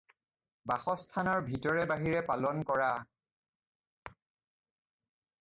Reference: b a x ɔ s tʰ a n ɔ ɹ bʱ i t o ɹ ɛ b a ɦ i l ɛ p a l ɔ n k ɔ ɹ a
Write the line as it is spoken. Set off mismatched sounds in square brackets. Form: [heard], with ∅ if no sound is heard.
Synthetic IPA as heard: b a x ɔ s tʰ a n ɔ ɹ bʱ i t [ɔ] ɹ ɛ b a ɦ i [ɹ] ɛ p a l ɔ n k ɔ ɹ a